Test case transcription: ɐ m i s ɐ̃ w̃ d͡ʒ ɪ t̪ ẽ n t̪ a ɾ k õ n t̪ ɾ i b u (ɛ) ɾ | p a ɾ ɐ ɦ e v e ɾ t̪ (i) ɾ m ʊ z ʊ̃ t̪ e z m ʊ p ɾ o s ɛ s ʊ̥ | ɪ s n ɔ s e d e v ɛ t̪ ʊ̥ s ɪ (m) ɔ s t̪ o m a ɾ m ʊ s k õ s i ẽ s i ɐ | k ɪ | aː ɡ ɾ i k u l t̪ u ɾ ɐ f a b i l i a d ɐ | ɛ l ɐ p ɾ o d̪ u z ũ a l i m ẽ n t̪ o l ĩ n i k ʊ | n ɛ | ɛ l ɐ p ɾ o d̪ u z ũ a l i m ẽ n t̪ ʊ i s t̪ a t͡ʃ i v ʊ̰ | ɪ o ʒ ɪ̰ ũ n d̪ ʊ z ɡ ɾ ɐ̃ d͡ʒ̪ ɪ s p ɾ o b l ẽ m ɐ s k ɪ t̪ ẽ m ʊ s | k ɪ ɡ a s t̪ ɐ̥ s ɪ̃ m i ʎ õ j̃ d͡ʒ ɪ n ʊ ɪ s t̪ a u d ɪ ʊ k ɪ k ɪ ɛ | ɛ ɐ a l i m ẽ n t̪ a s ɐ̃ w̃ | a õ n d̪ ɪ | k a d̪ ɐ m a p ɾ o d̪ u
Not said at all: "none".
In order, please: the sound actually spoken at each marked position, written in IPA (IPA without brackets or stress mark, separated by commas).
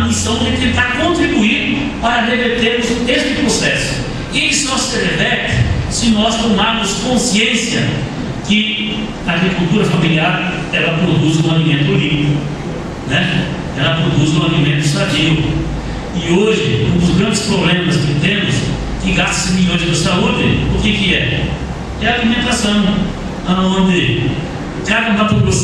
i, e, n